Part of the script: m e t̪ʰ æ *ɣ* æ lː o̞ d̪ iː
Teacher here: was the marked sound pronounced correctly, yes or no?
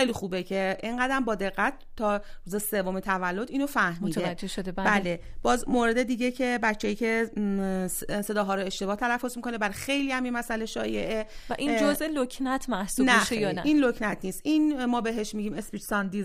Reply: no